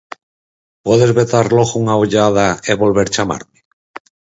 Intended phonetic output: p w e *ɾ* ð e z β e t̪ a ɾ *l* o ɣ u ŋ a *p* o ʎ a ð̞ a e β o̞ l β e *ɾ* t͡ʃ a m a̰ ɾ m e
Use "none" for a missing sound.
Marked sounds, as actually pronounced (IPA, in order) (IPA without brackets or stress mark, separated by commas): none, l, none, ɾ